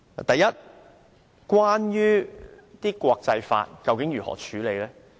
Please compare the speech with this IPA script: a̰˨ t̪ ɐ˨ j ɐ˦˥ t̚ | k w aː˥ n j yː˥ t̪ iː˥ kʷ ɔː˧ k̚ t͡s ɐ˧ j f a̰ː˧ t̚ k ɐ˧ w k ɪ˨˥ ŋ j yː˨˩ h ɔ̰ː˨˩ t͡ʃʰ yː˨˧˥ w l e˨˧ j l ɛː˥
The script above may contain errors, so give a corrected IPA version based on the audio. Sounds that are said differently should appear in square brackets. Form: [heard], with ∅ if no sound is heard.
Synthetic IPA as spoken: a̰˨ t̪ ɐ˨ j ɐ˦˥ t̚ | k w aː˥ n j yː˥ t̪ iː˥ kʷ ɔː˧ k̚ t͡s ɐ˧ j f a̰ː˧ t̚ k ɐ˧ w k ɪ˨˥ ŋ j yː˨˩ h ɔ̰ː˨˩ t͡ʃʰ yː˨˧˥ [∅] l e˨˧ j l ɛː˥